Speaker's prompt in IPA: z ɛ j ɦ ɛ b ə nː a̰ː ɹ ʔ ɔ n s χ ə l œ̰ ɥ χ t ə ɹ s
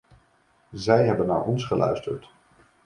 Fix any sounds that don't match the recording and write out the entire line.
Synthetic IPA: z ɛ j ɦ ɛ b ə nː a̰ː ɹ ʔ ɔ n s χ ə l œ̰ ɥ s t ə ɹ t